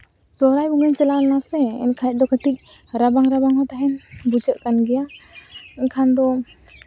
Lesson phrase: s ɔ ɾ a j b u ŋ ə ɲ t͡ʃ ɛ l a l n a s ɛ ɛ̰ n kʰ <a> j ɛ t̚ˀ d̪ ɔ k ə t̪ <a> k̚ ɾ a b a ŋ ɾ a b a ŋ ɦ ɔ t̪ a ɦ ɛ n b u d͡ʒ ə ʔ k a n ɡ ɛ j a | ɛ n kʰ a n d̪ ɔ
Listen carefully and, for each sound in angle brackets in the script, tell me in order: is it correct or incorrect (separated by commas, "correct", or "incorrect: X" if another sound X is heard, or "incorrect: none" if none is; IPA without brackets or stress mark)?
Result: correct, incorrect: i